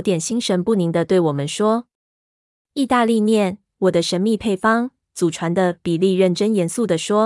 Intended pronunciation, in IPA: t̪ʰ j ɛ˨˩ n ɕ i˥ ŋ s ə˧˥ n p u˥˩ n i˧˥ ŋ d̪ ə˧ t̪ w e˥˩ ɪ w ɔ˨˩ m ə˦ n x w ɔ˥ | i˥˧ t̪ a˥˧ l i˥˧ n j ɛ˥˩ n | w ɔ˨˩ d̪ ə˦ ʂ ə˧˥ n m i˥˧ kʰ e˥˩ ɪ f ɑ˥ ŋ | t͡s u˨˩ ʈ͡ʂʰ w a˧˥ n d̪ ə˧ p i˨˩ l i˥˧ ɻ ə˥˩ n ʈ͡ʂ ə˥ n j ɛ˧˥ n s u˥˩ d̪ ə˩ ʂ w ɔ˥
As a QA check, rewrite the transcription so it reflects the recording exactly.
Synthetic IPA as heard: t̪ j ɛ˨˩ n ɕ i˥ ŋ ʂ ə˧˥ n p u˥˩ n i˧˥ ŋ d̪ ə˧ t̪ w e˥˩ ɪ w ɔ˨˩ m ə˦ n ʂ w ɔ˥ | i˥˧ t̪ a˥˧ l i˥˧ n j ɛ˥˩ n | w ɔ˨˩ d̪ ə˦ ʂ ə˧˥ n m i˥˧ pʰ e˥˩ ɪ f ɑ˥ ŋ | t͡s u˨˩ ʈ͡ʂʰ w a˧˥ n d̪ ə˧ p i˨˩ l i˥˧ ɻ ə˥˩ n ʈ͡ʂ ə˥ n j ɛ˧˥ n s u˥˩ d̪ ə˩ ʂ w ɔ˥